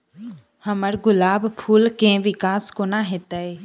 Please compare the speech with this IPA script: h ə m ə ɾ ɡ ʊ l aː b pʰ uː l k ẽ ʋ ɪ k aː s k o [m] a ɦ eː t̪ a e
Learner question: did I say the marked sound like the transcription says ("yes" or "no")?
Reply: no